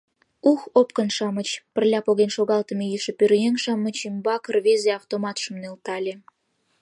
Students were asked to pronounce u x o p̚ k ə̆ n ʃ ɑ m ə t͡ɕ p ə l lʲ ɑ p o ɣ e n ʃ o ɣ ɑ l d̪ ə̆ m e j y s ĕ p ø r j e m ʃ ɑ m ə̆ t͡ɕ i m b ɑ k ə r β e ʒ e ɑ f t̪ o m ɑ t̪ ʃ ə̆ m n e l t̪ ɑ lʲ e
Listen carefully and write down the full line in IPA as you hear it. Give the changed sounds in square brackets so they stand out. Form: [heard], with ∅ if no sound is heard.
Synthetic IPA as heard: u x o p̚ k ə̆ n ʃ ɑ m ə t͡ɕ p ə [r] lʲ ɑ p o ɣ e n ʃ o ɣ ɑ l [t̪] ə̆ m e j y [ʃ] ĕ p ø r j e [ŋ] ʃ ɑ m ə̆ t͡ɕ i m b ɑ k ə r β e [z] e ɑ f t̪ o m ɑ t̪ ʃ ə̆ m n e l t̪ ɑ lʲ e